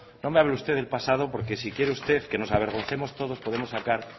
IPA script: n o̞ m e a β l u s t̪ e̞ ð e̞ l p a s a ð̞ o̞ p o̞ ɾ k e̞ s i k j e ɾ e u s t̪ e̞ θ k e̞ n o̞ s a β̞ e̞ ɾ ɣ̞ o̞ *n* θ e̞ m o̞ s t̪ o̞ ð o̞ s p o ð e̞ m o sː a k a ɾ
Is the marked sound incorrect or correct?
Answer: correct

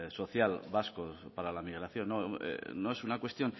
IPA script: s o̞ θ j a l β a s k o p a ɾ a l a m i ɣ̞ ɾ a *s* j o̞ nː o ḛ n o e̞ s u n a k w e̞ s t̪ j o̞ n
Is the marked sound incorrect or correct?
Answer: incorrect: θ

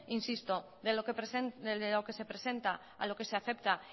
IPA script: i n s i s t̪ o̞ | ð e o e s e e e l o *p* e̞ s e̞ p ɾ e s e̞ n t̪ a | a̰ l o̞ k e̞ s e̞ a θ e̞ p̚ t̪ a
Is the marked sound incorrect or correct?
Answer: incorrect: k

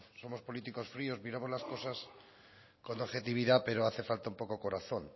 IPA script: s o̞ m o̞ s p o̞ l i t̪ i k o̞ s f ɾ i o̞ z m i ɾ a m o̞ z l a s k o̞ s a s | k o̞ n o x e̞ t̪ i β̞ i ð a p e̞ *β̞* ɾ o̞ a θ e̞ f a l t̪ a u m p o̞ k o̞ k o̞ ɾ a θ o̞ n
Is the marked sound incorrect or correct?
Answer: incorrect: none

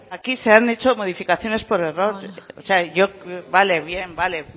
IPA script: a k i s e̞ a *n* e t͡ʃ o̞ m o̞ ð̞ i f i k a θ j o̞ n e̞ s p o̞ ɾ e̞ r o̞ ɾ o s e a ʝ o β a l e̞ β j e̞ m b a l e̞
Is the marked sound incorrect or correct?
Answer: correct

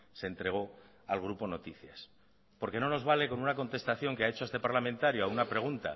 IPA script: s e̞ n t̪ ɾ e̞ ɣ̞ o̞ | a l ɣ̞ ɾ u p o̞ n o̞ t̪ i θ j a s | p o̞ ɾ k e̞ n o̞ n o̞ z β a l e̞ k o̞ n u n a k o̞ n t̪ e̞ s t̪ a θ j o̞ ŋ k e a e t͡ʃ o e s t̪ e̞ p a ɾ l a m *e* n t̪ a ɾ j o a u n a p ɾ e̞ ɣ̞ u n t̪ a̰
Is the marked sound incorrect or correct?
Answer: incorrect: ẽ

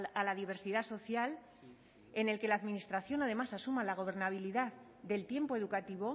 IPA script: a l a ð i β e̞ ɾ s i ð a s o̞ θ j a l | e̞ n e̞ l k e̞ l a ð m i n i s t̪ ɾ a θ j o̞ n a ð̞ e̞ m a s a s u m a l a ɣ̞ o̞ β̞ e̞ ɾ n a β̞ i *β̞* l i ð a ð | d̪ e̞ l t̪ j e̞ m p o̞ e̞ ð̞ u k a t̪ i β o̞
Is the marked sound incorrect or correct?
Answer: incorrect: none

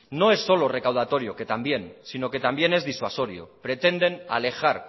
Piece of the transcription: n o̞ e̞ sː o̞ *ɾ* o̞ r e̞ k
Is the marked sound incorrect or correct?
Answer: incorrect: l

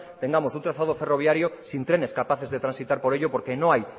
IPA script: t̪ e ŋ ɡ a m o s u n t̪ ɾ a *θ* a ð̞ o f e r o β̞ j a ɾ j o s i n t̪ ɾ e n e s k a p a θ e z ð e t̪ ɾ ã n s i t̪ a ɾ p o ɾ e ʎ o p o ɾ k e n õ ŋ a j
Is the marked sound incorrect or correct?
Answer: correct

